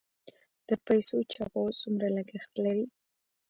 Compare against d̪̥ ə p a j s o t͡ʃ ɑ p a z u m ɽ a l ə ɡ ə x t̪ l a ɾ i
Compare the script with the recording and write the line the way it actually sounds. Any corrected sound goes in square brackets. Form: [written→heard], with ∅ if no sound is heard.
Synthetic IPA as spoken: d̪̥ ə p a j s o t͡ʃ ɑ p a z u m [ɽ→ɾ] a l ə ɡ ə x t̪ l a ɾ i